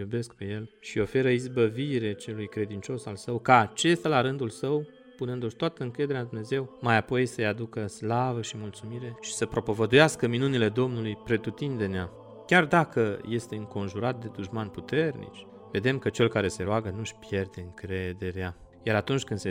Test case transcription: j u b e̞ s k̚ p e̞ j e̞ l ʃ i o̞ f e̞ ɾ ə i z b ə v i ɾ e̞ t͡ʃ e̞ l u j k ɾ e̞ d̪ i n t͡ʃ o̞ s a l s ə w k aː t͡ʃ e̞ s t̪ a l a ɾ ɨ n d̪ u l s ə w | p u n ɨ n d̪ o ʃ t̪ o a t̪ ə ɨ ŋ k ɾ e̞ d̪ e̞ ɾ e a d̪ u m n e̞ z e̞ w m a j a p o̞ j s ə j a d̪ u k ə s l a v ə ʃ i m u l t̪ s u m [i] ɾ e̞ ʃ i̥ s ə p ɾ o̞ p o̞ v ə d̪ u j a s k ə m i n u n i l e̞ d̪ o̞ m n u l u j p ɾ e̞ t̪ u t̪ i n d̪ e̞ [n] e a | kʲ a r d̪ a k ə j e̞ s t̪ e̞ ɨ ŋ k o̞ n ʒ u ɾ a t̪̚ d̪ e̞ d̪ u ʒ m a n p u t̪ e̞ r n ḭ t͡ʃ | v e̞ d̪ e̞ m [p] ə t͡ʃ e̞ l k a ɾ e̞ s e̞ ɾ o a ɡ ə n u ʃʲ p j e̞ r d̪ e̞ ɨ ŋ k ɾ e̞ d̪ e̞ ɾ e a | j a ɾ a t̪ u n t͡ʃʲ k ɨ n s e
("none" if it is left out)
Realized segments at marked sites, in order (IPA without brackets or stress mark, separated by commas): i, n, k